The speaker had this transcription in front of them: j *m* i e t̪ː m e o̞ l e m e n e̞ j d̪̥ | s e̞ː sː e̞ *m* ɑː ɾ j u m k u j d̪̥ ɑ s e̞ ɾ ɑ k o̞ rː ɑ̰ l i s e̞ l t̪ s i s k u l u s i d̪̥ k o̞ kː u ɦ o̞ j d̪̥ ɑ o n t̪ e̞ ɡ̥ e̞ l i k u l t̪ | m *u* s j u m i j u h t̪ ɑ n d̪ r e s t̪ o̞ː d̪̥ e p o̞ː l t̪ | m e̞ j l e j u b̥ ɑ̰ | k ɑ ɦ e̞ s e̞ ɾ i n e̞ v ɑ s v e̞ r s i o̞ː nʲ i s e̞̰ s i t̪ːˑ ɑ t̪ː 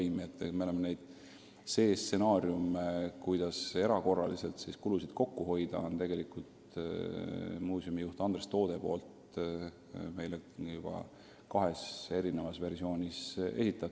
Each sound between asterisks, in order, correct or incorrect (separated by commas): correct, incorrect, incorrect